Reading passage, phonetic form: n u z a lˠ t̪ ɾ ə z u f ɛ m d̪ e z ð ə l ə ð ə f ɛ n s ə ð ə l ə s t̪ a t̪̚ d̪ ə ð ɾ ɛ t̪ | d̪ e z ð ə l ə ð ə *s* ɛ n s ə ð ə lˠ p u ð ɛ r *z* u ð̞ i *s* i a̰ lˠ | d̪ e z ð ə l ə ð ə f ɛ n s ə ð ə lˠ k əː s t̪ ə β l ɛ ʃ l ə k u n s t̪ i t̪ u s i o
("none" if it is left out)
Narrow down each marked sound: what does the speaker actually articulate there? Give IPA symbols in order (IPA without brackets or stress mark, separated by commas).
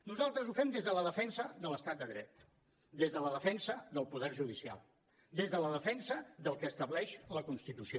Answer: f, ʒ, s